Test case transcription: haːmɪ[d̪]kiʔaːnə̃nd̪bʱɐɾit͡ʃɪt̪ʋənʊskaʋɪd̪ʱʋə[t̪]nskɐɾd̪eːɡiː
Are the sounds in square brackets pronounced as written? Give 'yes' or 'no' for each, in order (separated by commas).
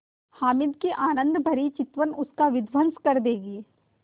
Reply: yes, no